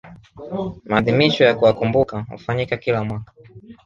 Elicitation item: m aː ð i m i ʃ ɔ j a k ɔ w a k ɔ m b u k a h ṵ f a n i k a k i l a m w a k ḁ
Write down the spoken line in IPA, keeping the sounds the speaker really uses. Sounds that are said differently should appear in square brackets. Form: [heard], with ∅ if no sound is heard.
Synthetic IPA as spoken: m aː ð i m i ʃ ɔ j a k [u] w a k [u] m b u k a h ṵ f a [ɲ] i k a k i l a m w a k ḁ